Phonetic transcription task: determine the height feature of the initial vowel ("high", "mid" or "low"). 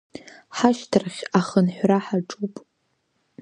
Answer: low